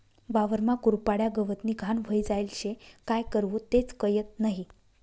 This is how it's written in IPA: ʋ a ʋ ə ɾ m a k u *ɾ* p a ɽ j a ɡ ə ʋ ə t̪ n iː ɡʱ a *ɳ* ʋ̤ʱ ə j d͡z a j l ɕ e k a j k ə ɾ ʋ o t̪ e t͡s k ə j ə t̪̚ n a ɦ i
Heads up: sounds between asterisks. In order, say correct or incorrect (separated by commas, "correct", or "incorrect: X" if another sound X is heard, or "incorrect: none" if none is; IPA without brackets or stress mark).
correct, incorrect: n